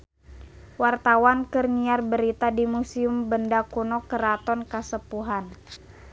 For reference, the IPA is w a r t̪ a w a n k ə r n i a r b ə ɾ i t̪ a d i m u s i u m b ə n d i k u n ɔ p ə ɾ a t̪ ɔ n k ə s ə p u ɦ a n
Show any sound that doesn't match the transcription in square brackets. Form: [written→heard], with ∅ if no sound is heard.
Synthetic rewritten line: w a r t̪ a w a n k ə r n i a r b ə ɾ i t̪ a d i m u s i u m b ə n d [i→a] k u n ɔ [p→k] ə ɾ a t̪ ɔ n k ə s ə p u ɦ a n